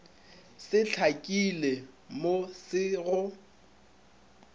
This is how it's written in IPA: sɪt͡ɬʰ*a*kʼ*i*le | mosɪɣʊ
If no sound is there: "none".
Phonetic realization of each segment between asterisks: a, i

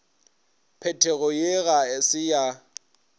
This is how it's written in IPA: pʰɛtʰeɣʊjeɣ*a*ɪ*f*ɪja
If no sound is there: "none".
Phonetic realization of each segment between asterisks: a, s

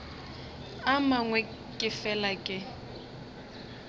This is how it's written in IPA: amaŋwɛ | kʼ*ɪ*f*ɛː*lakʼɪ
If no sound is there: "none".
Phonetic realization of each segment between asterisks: ɪ, ɛ

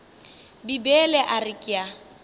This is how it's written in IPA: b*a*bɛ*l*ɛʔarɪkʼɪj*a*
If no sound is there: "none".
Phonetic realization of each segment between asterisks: i, l, a

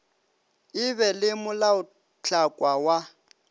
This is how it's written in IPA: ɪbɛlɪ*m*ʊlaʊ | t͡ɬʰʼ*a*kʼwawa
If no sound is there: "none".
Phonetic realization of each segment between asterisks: m, a

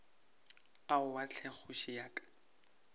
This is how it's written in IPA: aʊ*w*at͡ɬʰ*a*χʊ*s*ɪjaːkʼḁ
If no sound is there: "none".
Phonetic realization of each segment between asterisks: w, ɛ, ʃ

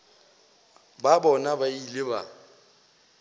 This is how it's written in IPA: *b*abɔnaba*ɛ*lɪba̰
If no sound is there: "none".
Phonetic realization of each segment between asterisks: b, i

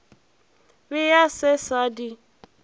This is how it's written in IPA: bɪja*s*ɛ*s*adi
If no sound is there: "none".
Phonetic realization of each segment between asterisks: s, s

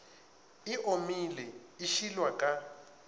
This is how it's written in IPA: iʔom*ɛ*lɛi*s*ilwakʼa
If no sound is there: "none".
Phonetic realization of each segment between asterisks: i, ʃ

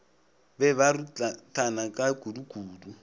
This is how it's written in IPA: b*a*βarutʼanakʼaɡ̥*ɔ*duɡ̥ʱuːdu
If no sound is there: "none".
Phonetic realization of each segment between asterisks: ɛ, u

